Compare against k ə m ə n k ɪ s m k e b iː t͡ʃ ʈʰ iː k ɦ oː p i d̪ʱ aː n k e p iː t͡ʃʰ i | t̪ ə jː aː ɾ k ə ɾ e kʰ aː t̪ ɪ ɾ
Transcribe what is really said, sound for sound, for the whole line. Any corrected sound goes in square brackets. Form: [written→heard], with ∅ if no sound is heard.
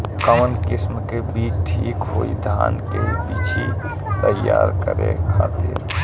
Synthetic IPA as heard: k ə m ə n k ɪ s m k e b iː t͡ʃ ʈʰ iː k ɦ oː [p→∅] i d̪ʱ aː n k e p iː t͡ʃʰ i | t̪ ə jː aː ɾ k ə ɾ e kʰ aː t̪ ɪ ɾ